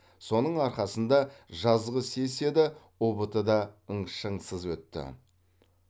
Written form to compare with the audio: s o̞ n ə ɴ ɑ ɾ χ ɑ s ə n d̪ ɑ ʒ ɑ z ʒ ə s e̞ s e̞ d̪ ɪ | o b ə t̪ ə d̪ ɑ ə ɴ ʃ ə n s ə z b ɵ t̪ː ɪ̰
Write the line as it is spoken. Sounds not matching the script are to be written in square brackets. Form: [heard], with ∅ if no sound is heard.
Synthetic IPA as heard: s o̞ n ə ɴ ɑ ɾ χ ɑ s ə n d̪ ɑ ʒ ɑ z [ʁ] ə s e̞ s e̞ d̪ ɪ | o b ə t̪ ə d̪ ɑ ə ɴ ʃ ə [ɴ] s ə z [w] ɵ t̪ː ɪ̰